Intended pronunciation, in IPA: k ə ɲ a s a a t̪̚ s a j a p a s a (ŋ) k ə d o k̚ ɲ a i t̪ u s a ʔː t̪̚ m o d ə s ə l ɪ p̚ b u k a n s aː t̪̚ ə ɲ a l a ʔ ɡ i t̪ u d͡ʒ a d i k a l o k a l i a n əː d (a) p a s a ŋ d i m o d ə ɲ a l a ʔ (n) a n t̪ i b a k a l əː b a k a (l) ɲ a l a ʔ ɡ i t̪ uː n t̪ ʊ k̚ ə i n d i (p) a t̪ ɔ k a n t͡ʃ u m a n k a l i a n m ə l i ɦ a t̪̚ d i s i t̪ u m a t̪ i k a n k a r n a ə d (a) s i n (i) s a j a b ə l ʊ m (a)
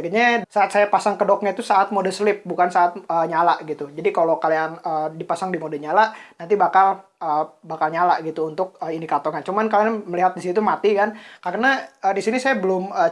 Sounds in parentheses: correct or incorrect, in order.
correct, incorrect: i, correct, correct, incorrect: k, incorrect: i, correct, incorrect: ə

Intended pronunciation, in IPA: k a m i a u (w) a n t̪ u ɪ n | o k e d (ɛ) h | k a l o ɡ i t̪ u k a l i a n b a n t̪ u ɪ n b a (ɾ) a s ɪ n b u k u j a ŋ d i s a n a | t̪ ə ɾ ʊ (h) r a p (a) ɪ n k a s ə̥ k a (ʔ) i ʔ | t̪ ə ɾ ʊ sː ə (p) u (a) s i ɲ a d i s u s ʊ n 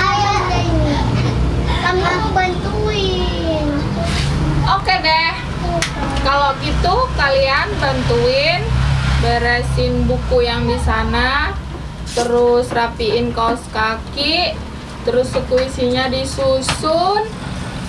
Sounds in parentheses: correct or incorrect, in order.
incorrect: b, correct, correct, incorrect: s, incorrect: i, incorrect: k, incorrect: k, incorrect: i

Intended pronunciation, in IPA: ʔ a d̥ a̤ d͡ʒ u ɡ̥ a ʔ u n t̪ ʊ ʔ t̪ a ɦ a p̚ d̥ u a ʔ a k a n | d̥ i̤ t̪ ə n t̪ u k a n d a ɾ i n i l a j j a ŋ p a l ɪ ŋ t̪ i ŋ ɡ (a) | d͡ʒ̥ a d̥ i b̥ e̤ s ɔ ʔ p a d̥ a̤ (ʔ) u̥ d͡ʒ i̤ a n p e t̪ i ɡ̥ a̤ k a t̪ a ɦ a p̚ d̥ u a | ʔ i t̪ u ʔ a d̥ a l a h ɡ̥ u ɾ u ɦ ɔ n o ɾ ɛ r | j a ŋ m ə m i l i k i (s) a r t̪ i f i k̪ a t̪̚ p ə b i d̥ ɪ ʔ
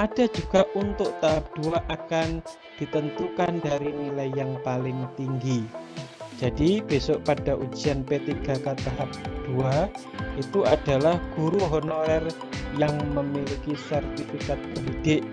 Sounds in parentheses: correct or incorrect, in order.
incorrect: i, correct, correct

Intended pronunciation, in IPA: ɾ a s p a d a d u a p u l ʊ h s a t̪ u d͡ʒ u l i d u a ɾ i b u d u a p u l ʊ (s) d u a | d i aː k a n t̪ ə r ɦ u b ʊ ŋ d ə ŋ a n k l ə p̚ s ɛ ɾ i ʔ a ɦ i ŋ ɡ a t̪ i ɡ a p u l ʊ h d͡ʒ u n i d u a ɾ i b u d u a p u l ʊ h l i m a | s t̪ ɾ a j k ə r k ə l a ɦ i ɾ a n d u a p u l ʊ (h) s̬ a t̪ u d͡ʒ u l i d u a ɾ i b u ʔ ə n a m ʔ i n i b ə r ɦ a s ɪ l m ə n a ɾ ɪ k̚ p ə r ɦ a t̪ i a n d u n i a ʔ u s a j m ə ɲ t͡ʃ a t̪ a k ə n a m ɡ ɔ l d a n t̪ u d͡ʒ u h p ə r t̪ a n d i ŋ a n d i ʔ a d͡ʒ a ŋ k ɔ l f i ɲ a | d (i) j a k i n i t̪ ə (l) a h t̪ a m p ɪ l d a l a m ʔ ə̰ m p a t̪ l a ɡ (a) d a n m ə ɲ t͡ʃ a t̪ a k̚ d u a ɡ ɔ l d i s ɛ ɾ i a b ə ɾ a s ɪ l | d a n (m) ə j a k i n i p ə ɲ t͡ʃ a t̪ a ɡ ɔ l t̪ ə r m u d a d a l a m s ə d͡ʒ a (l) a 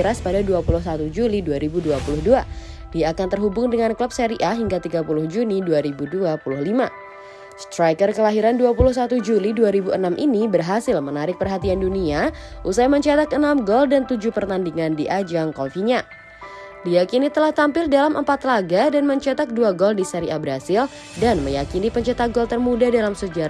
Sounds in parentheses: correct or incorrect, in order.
incorrect: h, correct, correct, correct, correct, correct, incorrect: ɾ

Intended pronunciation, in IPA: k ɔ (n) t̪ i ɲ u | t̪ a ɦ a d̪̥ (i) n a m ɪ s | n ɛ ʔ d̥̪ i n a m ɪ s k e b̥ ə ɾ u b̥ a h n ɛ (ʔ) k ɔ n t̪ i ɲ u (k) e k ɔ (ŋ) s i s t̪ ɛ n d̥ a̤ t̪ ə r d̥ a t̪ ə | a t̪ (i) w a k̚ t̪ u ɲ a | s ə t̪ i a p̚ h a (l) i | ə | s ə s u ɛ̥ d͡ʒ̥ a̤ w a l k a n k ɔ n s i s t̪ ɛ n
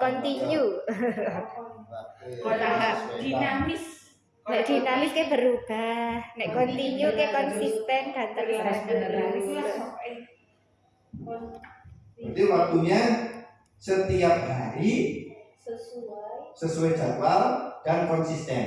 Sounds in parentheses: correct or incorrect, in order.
correct, correct, correct, correct, incorrect: n, correct, incorrect: ɾ

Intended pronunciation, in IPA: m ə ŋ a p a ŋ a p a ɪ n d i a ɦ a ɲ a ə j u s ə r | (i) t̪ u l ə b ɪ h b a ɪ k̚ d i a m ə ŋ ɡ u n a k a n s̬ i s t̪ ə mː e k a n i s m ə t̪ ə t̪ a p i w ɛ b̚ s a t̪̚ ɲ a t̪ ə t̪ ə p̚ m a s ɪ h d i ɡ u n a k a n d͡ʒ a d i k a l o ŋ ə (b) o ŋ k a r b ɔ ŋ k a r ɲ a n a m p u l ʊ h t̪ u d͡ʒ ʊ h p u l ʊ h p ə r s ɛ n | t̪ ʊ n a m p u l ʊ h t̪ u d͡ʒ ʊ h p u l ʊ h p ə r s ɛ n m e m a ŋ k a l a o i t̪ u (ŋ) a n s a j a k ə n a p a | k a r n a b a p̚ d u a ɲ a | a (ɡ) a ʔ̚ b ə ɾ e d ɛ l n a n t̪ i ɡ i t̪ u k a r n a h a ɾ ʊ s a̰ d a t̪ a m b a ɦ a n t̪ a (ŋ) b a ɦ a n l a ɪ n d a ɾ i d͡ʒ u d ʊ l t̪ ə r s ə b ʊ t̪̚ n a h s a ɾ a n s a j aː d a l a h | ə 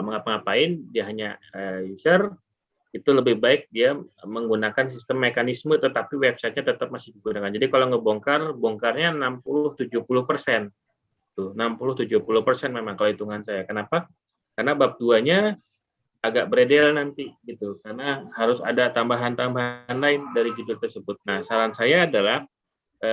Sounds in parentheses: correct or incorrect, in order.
correct, correct, correct, correct, incorrect: m

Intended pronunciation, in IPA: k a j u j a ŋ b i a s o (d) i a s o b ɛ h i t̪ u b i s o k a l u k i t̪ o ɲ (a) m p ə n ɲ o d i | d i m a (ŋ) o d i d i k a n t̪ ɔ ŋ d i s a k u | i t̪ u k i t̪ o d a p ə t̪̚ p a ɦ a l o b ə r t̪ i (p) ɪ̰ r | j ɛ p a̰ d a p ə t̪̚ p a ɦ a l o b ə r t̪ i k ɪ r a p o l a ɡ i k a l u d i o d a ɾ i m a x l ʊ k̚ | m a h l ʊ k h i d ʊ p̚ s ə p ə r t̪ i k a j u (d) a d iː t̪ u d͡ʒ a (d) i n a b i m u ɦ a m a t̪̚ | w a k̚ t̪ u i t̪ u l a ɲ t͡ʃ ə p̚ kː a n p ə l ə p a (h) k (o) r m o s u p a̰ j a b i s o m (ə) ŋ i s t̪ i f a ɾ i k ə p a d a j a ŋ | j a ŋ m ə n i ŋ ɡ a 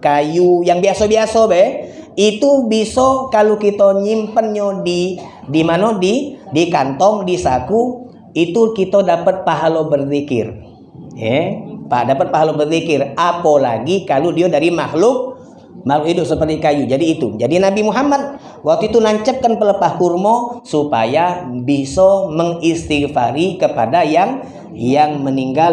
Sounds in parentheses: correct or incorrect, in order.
incorrect: b, incorrect: i, incorrect: n, incorrect: k, incorrect: d͡ʒ, correct, correct, incorrect: u, correct

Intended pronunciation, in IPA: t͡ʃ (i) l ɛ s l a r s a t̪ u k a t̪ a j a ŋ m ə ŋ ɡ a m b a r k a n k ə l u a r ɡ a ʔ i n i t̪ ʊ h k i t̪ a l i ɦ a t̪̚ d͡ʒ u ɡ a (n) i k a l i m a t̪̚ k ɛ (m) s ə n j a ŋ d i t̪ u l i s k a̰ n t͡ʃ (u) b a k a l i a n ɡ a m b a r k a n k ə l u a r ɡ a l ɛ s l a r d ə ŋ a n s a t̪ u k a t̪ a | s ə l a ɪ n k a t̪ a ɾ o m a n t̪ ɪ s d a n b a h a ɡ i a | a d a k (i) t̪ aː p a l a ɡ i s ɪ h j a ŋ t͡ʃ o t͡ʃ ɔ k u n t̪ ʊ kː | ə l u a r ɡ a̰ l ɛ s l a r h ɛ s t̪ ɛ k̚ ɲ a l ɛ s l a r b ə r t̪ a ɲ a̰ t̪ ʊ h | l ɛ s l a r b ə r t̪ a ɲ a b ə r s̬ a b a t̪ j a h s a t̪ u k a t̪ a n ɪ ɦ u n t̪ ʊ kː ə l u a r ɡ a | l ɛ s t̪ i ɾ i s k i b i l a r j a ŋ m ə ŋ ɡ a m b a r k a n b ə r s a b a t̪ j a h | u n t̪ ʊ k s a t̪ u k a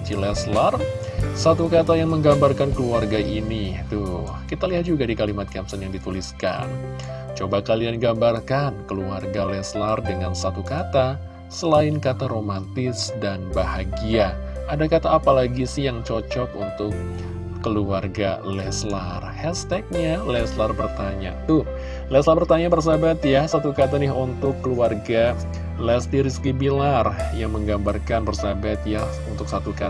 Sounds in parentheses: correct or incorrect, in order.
correct, incorrect: d, correct, incorrect: o, incorrect: a

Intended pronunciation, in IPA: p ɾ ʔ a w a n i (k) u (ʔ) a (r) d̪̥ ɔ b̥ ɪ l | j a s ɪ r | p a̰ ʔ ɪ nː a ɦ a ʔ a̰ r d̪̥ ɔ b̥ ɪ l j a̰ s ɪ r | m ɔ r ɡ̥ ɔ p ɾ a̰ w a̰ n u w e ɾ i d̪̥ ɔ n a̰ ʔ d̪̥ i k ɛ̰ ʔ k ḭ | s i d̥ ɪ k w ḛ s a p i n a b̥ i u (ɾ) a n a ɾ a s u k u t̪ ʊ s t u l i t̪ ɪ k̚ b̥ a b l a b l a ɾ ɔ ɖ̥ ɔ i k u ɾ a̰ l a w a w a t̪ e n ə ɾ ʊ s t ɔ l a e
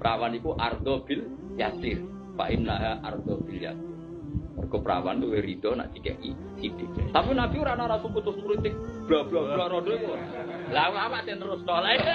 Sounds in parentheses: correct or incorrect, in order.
correct, correct, correct, correct

